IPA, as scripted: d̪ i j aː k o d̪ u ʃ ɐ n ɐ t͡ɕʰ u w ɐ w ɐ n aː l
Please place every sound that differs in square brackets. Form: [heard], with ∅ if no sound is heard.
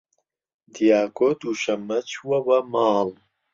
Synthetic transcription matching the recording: d̪ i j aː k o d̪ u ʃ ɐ [m] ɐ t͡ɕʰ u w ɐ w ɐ [m] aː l

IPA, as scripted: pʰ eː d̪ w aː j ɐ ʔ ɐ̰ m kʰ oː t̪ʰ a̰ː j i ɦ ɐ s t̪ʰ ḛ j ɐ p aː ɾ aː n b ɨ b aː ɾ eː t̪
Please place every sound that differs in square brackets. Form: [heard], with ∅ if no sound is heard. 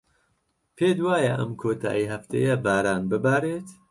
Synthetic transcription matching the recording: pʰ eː d̪ w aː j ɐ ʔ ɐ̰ m kʰ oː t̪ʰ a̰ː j i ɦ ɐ [f] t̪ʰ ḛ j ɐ [b] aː ɾ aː n b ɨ b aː ɾ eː t̪

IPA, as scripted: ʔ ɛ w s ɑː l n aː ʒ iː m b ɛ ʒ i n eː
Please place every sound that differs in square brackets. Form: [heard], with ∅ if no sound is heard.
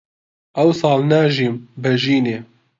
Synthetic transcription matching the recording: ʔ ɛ w s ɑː l n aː ʒ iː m b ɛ ʒ [iː] n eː

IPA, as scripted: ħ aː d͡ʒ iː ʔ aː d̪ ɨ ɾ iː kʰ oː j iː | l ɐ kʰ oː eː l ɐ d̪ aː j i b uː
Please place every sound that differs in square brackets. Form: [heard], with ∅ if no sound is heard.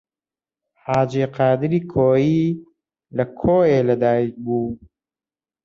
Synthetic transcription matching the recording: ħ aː d͡ʒ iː [q] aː d̪ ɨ ɾ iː kʰ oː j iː | l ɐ kʰ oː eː l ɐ d̪ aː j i b uː

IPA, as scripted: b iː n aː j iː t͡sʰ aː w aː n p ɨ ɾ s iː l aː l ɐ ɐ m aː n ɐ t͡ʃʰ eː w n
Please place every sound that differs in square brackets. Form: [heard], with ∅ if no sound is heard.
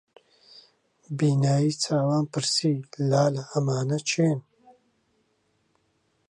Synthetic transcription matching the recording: b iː n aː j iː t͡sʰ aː w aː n p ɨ ɾ s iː l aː l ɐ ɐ m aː n ɐ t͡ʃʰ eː [∅] n

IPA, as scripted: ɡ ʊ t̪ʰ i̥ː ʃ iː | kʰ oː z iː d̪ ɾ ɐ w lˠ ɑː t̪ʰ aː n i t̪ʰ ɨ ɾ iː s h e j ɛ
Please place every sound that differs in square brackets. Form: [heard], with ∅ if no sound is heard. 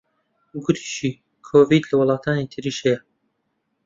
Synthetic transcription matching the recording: ɡ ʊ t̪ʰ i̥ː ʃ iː | kʰ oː [v] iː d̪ [l] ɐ w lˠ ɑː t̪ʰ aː n i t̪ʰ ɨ ɾ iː [ʃ] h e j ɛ

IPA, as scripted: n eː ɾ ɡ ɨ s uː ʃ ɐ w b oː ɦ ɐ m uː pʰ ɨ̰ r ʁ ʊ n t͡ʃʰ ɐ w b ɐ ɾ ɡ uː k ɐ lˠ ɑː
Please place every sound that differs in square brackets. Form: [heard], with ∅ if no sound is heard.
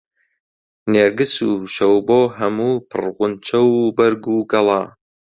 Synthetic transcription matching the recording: n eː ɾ ɡ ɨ s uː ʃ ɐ w b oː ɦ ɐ m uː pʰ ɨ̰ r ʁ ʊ n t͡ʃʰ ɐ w b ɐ ɾ ɡ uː [ɡ] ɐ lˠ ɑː

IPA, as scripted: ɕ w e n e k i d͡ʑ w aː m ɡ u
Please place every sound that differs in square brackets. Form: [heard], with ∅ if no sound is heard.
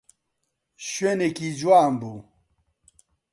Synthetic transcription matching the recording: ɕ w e n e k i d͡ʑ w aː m [b] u

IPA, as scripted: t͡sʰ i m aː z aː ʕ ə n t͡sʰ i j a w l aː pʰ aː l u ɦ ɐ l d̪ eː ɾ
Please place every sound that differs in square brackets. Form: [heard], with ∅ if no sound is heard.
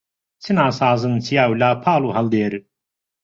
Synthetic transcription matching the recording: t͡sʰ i [n] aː [s] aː [z] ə n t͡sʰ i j a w l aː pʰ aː l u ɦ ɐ l d̪ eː ɾ

